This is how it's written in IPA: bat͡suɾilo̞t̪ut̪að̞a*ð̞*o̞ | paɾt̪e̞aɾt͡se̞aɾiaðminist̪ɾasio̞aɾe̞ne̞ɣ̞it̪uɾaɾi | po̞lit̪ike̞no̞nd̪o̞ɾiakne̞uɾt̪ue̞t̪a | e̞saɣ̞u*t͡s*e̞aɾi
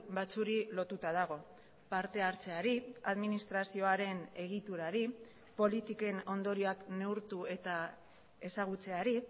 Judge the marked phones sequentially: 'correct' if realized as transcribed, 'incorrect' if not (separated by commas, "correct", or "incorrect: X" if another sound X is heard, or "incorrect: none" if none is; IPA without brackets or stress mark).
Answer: incorrect: ɣ̞, correct